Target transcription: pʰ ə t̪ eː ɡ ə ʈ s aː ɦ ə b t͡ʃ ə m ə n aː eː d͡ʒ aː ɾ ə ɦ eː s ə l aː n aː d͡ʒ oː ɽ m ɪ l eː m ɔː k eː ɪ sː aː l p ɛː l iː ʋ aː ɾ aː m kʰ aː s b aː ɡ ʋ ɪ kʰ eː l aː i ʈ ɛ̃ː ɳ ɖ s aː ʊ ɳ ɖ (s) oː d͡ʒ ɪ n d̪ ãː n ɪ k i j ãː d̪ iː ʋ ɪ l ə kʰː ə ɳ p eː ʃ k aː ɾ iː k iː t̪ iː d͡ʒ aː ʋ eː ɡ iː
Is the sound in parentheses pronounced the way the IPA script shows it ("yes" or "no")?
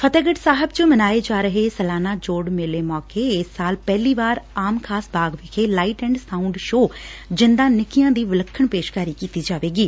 no